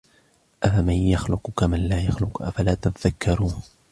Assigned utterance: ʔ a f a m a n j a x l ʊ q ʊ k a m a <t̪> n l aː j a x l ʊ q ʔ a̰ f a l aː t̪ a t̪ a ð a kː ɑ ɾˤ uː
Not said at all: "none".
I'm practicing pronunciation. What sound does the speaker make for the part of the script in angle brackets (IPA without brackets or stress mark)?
none